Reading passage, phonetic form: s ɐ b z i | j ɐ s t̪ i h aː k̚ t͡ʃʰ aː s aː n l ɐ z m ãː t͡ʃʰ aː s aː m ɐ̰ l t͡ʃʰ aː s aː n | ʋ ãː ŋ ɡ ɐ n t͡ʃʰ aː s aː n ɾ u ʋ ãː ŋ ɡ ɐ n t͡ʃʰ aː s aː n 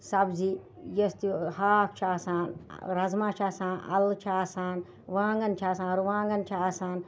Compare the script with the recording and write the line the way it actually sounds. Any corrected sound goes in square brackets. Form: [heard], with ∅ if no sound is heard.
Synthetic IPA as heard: s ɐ b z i | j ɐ s t̪ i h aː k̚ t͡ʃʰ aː s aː n [ɾ] ɐ z m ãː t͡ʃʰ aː s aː [n] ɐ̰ l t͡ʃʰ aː s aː n | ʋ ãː ŋ ɡ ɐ n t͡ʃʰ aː s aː n ɾ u ʋ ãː ŋ ɡ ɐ n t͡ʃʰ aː s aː n